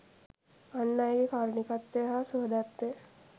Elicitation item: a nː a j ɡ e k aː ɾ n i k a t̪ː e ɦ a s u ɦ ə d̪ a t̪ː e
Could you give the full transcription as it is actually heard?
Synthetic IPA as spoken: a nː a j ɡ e k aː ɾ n i k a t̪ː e ɦ a s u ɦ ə d̪ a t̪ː e